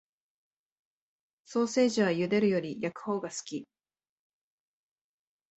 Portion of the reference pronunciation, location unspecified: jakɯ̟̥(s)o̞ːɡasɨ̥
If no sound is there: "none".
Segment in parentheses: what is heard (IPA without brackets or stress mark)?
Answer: h